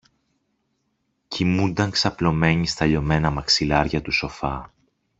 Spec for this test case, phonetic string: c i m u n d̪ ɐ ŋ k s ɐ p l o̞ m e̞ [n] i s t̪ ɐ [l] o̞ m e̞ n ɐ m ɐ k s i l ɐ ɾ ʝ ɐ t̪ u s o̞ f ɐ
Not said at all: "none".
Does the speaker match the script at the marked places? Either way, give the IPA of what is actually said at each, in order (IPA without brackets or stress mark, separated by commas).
ɲ, ʎ